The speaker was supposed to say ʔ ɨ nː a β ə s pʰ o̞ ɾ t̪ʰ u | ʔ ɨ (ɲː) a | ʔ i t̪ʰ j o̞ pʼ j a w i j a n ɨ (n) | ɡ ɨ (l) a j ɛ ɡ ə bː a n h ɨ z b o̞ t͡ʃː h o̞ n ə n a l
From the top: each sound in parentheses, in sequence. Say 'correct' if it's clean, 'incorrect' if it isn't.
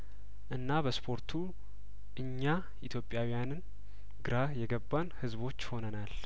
correct, correct, incorrect: ɾ

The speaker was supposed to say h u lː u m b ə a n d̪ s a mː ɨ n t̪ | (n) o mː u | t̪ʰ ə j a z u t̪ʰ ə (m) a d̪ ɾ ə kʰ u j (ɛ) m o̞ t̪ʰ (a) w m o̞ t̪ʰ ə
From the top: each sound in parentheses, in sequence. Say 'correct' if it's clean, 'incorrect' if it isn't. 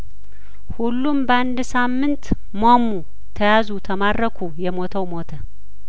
incorrect: m, correct, correct, incorrect: ə

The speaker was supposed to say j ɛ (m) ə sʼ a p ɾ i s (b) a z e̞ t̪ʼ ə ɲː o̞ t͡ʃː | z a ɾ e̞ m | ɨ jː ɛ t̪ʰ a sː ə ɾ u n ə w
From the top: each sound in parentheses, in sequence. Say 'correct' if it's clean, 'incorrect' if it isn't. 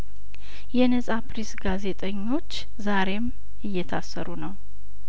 incorrect: n, incorrect: ɡ

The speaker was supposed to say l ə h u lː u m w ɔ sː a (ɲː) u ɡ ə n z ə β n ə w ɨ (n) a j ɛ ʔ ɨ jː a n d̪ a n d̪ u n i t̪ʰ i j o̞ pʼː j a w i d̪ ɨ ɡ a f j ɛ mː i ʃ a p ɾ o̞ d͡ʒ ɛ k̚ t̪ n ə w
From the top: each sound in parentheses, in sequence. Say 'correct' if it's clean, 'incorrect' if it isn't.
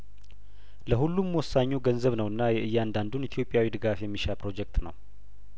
correct, incorrect: nː

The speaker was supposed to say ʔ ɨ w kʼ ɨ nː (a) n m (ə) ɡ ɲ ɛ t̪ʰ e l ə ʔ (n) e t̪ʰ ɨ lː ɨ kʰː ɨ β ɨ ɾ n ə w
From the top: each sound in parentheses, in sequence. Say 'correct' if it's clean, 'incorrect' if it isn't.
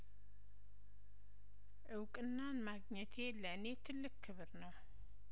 correct, incorrect: a, correct

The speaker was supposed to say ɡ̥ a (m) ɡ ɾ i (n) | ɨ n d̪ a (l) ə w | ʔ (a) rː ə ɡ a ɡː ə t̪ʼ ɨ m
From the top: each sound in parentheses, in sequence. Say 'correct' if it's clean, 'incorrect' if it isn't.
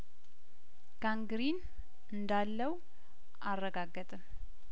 incorrect: ŋ, correct, incorrect: lː, correct

